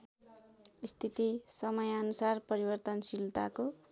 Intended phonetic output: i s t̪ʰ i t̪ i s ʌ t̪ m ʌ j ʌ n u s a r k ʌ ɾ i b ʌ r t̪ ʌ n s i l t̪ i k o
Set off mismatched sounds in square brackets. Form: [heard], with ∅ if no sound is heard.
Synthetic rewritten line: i s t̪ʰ i t̪ i s ʌ [∅] m ʌ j ʌ n u s a r [p] ʌ ɾ i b ʌ r t̪ ʌ n s i l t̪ [a] k o